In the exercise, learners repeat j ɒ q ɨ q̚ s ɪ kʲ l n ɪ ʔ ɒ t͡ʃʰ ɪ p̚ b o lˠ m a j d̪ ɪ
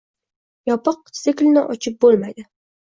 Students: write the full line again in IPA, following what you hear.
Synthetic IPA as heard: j ɒ p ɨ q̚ s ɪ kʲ l n ɪ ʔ ɒ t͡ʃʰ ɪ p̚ b o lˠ m a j d̪ ɪ